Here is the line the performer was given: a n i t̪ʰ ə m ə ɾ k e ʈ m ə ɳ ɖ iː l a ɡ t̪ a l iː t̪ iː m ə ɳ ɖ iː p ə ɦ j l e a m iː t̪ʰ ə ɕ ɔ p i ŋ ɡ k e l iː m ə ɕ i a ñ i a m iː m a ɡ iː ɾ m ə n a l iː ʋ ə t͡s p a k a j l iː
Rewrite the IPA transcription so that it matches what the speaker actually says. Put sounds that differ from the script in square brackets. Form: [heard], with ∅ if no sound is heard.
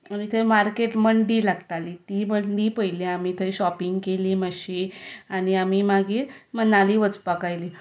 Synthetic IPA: a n i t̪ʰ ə m [a] ɾ k e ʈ m ə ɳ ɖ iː l a ɡ t̪ a l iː t̪ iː m ə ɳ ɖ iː p ə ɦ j l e a m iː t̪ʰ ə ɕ ɔ p i ŋ ɡ k e l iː m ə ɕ i a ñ i a m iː m a ɡ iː ɾ m ə n a l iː ʋ ə t͡s p a k a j l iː